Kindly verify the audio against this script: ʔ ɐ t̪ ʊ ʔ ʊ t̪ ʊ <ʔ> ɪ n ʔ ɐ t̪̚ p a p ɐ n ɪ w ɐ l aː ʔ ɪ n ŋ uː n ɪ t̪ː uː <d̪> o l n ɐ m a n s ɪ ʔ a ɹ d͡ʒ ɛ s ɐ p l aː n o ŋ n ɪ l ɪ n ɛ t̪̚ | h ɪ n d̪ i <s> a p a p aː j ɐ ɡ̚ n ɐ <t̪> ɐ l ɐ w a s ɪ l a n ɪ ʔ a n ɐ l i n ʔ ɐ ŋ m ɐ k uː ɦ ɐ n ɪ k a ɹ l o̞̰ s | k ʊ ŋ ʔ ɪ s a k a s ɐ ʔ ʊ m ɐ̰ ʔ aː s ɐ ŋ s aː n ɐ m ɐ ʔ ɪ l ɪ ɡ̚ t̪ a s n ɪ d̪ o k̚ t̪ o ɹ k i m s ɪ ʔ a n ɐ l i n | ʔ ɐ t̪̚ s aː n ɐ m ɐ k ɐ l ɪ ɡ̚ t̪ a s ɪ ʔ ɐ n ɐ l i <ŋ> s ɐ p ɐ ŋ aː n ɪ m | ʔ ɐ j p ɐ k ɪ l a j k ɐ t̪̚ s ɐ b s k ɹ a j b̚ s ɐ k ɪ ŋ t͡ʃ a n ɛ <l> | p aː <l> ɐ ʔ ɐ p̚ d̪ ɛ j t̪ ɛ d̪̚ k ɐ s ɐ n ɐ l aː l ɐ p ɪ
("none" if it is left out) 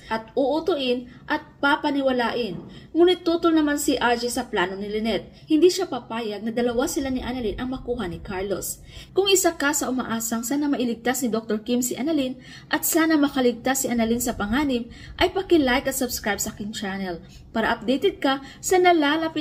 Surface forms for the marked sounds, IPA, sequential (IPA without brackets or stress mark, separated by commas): ʔ, t̪, ʃ, d̪, n, l, ɾ